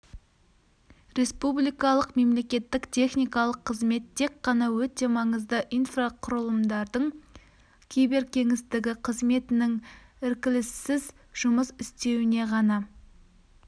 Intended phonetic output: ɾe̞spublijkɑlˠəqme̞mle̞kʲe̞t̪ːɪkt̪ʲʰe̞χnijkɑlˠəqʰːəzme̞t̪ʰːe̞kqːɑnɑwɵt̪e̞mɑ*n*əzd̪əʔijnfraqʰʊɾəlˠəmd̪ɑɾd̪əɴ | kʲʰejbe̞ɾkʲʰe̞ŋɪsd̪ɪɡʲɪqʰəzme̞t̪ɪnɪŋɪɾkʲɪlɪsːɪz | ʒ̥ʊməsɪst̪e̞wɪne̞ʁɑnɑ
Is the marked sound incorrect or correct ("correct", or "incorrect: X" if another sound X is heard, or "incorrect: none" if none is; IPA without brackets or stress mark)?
incorrect: ɴ